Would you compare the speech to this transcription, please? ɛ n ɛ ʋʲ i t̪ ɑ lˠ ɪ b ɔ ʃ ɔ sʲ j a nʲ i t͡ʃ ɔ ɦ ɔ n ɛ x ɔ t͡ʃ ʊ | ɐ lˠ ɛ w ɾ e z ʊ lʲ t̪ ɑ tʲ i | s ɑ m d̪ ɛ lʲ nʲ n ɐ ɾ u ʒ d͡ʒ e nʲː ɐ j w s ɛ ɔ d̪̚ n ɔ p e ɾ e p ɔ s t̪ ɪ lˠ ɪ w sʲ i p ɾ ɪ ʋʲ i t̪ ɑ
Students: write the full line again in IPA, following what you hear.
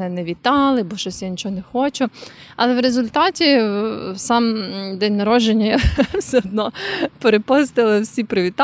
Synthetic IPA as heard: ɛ n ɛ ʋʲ i t̪ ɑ lˠ ɪ b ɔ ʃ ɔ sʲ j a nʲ i t͡ʃ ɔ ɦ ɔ n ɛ x ɔ t͡ʃ ʊ | ɐ lˠ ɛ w ɾ e z ʊ lʲ t̪ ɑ tʲ i | s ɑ m d̪ ɛ nʲ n ɐ ɾ ɔ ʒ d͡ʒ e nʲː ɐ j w s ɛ ɔ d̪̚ n ɔ p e ɾ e p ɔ s t̪ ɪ lˠ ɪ w sʲ i p ɾ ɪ ʋʲ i t̪ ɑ